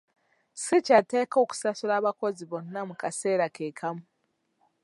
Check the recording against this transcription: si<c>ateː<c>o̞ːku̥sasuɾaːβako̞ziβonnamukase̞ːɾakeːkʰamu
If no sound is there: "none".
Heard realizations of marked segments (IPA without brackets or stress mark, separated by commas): c, k